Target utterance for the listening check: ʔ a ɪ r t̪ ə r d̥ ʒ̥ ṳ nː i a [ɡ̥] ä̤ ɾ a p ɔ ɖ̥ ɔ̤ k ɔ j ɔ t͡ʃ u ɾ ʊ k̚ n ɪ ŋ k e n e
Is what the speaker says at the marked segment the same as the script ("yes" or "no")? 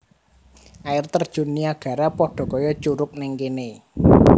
yes